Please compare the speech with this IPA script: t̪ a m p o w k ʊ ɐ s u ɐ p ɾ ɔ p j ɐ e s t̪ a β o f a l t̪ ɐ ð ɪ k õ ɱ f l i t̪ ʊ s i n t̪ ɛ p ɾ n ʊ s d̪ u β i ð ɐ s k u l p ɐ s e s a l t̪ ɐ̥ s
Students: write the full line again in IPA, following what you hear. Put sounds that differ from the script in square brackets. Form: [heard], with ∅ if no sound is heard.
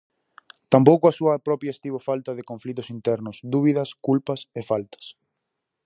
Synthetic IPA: t̪ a m p o w k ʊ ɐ s u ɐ p ɾ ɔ p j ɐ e s t̪ [i] β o f a l t̪ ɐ ð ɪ k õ ɱ f l i t̪ ʊ s i n t̪ ɛ [∅] ɾ n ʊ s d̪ u β i ð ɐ s k u l p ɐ s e [f] a l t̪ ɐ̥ s